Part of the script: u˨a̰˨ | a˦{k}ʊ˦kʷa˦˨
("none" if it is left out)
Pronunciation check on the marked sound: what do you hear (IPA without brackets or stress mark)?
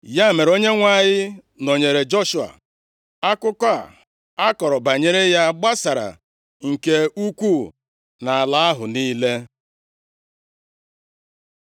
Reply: k